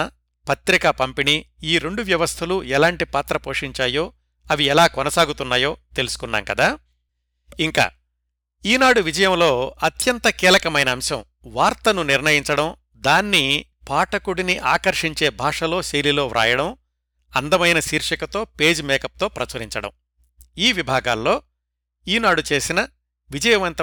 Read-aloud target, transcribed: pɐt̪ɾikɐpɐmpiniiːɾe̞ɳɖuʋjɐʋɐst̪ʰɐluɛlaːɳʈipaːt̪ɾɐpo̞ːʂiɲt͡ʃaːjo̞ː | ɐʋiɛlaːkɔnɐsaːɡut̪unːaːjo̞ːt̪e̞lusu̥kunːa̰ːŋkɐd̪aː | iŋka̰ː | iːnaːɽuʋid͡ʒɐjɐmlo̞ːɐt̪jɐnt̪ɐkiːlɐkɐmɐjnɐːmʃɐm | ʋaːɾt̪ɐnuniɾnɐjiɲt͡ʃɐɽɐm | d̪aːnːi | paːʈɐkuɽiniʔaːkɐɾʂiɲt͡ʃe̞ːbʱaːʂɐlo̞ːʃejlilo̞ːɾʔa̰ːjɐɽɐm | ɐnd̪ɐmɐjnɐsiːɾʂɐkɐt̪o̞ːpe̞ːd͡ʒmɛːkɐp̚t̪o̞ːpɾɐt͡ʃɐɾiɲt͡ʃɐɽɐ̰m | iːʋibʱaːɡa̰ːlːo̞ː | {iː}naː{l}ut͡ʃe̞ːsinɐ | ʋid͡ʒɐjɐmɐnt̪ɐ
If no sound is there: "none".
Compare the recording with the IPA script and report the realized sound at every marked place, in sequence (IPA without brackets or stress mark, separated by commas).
iː, ɽ